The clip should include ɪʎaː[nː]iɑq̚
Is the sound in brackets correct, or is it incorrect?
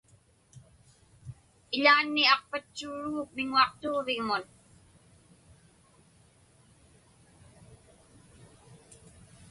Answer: correct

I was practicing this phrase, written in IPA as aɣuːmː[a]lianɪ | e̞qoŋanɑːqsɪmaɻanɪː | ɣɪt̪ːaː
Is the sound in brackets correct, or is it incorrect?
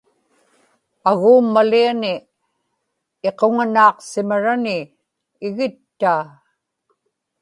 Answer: correct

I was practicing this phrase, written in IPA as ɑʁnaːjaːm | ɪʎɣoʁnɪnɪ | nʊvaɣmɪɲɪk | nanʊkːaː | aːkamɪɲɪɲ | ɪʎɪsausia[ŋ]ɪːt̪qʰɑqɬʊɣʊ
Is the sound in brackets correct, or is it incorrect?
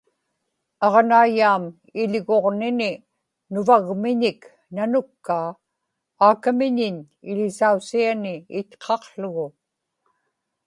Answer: incorrect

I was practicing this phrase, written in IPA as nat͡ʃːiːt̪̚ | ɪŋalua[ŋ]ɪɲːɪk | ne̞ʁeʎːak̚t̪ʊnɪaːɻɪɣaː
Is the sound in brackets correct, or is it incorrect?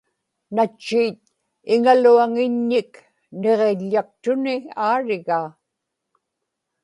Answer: correct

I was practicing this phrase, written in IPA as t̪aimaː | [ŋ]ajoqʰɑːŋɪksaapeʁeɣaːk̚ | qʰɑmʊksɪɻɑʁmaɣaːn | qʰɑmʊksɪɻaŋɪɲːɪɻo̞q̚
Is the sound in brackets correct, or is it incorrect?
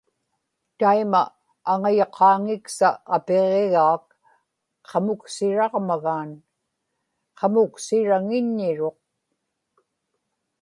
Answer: correct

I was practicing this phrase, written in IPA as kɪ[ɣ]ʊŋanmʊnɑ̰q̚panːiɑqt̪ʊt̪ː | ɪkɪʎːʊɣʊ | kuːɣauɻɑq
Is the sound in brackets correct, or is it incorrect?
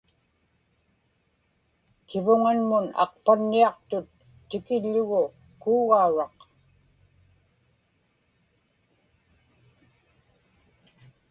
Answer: incorrect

